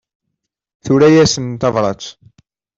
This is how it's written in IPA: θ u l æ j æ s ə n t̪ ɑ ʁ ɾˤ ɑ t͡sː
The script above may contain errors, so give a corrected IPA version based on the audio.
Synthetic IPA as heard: θ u ɾ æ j æ s ə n t̪ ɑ v ɾˤ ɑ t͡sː